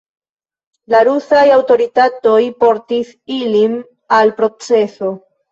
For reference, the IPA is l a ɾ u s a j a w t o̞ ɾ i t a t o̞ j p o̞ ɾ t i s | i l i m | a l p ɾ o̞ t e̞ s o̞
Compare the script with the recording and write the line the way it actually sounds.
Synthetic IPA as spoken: l a ɾ u s a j a w t o̞ ɾ i t a t o̞ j p o̞ ɾ t i s | i l i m | a l p ɾ o̞ t͡s e̞ s o̞